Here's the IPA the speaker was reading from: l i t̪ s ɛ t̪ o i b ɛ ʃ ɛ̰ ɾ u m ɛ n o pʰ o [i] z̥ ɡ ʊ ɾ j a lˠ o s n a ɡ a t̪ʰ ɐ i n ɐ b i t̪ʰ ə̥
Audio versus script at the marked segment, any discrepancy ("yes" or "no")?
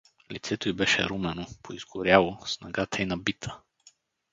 no